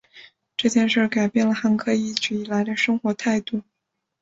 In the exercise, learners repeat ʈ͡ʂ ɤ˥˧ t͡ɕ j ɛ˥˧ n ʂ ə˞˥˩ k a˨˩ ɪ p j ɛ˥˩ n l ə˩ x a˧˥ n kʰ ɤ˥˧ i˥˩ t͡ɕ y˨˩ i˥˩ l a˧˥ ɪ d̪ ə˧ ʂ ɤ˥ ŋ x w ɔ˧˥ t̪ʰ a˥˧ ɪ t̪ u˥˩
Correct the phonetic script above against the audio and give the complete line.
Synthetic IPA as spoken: ʈ͡ʂ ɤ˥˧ t͡ɕ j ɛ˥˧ n ʂ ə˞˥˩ k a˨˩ ɪ p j ɛ˥˩ n l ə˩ x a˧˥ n kʰ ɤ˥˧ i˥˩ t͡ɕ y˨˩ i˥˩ l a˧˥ ɪ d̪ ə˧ ʂ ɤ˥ ŋ x w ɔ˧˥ t̪ʰ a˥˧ ɪ t̪ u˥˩